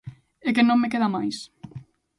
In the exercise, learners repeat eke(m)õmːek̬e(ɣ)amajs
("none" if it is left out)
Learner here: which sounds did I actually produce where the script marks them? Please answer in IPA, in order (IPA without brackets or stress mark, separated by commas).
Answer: n, ð